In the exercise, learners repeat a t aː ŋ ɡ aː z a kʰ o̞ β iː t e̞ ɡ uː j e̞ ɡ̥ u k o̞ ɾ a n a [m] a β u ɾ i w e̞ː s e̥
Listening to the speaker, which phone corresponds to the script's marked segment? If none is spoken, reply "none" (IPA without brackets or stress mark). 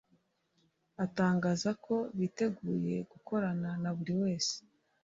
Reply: n